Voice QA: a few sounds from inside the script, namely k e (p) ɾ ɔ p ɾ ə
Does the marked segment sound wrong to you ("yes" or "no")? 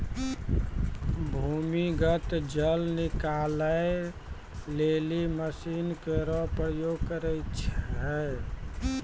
yes